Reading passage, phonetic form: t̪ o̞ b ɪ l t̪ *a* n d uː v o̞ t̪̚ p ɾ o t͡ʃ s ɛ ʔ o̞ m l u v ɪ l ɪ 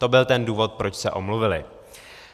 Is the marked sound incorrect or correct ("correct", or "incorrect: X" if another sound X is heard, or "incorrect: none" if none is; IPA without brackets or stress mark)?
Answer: incorrect: ɛ